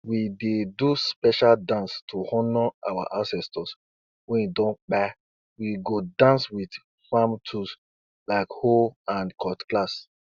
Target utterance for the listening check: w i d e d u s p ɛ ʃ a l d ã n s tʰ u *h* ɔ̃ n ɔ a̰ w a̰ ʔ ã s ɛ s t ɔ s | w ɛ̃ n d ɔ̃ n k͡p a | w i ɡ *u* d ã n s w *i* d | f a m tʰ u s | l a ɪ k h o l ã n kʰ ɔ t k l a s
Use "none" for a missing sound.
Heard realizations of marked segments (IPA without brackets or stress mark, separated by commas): h, o, i